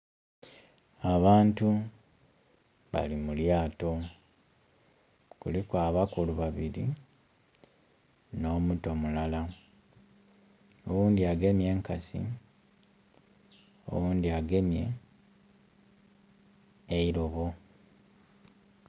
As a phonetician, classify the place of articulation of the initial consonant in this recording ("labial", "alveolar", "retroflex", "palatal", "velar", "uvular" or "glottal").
labial